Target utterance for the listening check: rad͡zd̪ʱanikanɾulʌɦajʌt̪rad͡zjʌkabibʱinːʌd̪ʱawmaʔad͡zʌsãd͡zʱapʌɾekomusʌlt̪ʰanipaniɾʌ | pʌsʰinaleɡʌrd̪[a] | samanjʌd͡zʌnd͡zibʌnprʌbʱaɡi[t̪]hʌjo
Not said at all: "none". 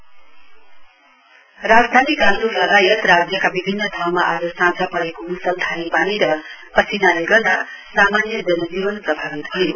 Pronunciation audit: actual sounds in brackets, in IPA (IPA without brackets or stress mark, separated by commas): a, t̪